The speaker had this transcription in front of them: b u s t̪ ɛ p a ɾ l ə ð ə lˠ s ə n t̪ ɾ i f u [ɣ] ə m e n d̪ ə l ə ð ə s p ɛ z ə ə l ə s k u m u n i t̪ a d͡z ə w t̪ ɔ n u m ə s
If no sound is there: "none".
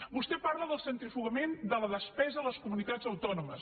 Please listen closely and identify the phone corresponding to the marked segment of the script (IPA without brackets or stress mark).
ɣ